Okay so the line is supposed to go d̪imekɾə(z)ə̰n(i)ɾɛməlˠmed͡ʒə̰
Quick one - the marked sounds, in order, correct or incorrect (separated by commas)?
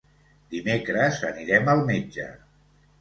correct, correct